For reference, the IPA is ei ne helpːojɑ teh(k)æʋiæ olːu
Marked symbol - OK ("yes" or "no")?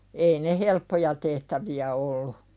no